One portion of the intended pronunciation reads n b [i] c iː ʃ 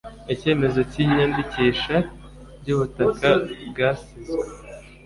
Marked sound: correct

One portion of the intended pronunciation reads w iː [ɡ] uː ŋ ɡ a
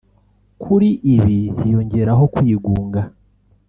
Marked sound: correct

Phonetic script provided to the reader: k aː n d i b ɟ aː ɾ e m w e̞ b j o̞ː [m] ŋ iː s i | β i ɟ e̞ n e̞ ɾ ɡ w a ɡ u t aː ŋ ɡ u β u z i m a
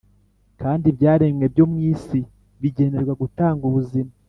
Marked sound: correct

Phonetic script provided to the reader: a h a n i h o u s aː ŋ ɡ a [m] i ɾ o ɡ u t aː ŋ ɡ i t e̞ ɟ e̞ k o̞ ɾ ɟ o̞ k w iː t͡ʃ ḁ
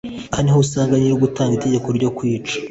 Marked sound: incorrect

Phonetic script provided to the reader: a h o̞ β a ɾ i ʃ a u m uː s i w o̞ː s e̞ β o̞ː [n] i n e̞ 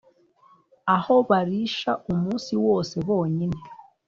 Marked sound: incorrect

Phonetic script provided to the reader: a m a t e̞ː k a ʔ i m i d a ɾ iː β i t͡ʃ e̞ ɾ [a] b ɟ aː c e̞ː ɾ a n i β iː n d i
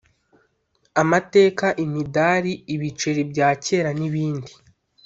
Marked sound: incorrect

